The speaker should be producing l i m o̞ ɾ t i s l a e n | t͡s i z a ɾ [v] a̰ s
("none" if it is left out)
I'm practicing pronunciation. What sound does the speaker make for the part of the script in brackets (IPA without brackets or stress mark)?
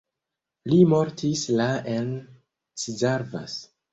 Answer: v